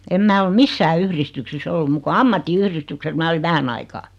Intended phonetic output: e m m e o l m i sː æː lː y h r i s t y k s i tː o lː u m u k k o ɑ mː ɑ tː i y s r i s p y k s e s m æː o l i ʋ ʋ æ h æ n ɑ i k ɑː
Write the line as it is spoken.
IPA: e m m æ o l m i sː æː y h r i s t y k s i sː o lː u m u k k o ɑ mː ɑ tː i y h r i s t y k s e s m æː o l i ʋ ʋ æ h æ n ɑ i k ɑː